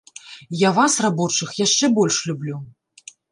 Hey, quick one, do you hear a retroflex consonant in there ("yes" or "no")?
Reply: yes